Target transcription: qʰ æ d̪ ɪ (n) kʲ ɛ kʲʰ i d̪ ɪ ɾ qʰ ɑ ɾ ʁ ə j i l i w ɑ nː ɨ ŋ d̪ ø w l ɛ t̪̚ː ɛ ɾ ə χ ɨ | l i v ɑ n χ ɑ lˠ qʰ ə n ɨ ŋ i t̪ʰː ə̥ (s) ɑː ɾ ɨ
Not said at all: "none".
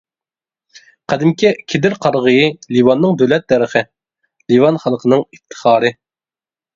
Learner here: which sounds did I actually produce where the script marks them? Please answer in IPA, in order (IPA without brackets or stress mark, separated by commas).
m, χ